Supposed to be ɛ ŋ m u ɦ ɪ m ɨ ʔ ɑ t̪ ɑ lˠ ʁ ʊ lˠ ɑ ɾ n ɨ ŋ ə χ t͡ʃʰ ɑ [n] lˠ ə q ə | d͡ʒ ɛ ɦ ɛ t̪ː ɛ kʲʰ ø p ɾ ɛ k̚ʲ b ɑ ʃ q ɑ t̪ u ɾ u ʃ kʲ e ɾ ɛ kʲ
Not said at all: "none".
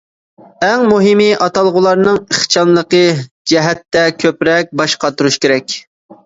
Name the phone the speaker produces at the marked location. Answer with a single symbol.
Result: n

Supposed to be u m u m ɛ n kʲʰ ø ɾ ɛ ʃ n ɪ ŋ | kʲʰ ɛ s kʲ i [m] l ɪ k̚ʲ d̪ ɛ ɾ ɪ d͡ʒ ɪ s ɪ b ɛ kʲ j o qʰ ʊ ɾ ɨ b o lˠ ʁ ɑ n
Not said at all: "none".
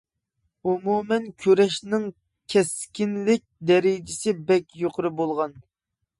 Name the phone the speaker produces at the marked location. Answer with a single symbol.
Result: n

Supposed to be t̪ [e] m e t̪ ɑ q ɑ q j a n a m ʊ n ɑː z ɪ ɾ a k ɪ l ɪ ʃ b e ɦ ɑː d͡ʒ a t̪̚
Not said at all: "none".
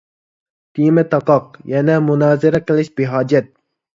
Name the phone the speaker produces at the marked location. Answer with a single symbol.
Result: i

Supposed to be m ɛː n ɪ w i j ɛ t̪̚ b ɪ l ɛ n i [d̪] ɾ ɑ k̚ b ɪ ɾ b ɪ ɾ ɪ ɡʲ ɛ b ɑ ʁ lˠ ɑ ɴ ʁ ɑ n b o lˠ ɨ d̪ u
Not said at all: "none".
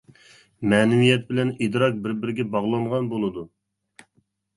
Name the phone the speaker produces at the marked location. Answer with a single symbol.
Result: d̪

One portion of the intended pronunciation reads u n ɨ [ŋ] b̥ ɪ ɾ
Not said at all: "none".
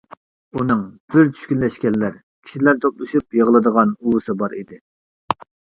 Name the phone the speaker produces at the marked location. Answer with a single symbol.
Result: ŋ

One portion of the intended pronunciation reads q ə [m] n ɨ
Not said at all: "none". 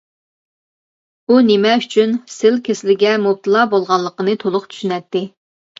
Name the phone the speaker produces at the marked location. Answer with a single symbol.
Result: none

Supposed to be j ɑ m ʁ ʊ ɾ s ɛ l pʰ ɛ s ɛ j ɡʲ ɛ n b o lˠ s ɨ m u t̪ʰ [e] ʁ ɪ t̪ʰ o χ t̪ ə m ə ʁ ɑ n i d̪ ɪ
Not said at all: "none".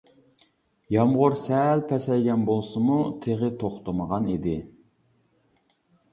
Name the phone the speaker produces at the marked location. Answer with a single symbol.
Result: e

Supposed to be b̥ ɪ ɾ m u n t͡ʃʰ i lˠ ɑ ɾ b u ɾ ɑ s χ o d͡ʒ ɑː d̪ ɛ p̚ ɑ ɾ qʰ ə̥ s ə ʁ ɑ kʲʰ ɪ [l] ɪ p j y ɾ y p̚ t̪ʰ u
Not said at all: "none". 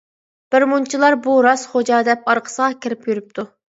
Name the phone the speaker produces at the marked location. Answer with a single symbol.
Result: ɾ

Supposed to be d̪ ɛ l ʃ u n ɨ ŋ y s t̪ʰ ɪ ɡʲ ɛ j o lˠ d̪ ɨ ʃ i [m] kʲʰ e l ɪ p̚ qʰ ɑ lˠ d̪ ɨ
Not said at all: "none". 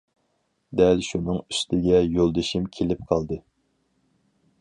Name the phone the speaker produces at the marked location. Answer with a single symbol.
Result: m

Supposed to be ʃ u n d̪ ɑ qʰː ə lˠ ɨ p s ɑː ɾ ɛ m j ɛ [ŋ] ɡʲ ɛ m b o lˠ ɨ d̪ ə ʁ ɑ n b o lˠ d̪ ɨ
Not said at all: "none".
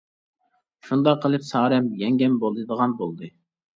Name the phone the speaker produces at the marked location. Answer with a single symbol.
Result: ŋ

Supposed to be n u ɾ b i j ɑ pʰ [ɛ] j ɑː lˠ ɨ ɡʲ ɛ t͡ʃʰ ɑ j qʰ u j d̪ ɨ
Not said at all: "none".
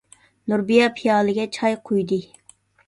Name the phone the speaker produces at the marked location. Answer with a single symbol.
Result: i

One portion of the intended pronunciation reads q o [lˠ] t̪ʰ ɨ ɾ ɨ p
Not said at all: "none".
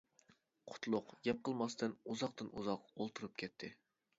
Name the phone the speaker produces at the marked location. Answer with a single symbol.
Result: lˠ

